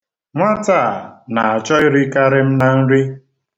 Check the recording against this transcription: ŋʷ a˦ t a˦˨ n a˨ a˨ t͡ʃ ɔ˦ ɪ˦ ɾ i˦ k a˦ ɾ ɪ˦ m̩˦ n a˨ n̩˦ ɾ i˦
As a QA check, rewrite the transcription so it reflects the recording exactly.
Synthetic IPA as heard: ŋʷ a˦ t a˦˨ n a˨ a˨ t͡ʃ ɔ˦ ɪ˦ ɾ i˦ k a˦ ɾ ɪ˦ m̩˦ n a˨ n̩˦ ɾ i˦